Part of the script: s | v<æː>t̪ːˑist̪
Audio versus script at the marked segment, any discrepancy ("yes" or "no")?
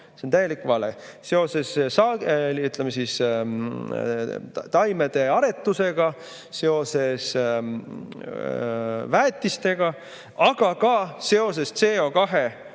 no